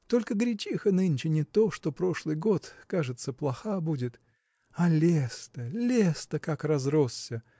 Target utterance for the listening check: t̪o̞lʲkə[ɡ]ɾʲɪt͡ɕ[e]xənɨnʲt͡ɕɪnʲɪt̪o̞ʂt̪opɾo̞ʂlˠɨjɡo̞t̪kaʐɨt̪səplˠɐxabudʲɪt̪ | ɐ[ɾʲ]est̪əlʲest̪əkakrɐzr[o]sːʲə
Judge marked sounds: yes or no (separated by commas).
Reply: yes, no, no, yes